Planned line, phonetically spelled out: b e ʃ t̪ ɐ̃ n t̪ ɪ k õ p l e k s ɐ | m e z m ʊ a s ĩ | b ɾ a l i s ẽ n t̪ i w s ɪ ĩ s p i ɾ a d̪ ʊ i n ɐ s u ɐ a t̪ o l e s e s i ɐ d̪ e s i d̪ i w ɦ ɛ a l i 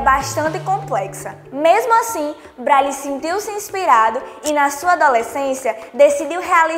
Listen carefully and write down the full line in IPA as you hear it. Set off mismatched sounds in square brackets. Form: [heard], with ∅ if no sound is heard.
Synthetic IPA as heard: b [a] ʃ t̪ ɐ̃ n t̪ ɪ k õ p l [ɛ] k s ɐ | m e z m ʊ a s ĩ | b ɾ a l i s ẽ n t̪ i w s ɪ ĩ s p i ɾ a d̪ ʊ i n ɐ s u ɐ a [d̪] o l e s [ẽ] s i ɐ d̪ e s i d̪ i w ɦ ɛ a l i